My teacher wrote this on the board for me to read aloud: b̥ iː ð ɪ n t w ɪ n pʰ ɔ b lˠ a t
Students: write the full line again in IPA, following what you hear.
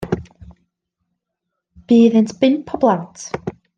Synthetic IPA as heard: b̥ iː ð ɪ n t b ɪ n pʰ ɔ b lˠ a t